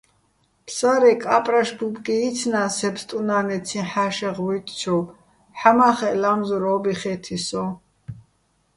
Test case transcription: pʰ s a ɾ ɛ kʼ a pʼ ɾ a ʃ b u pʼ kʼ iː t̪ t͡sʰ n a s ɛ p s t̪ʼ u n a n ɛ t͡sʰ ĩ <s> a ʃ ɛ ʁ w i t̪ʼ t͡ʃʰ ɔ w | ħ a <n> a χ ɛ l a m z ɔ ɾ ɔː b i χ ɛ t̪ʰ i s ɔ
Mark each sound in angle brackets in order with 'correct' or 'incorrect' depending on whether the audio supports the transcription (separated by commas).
incorrect, incorrect